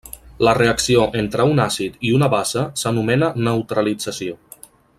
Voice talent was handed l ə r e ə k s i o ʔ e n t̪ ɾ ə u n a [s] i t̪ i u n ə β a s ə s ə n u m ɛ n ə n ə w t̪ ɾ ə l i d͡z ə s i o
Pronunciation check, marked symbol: correct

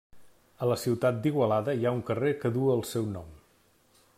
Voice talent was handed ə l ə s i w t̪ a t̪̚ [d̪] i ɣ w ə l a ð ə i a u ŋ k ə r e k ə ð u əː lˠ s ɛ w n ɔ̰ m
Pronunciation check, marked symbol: correct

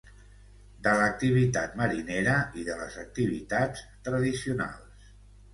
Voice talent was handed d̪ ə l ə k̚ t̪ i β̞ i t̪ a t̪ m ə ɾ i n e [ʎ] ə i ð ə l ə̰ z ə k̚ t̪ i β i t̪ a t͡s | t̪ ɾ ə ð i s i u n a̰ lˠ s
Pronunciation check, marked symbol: incorrect: ɾ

